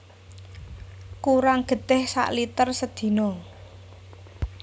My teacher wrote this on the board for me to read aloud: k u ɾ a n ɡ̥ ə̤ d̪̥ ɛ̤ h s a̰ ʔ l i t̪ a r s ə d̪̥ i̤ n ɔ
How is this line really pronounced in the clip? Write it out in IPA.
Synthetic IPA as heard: k u ɾ a ŋ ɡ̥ ə̤ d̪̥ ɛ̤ h s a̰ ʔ l i t̪ ə r s ə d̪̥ i̤ n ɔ